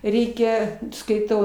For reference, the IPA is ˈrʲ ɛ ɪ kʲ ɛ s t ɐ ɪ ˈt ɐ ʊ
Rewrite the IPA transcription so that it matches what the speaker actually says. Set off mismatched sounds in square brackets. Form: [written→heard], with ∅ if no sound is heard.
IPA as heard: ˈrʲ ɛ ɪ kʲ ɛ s [t→k] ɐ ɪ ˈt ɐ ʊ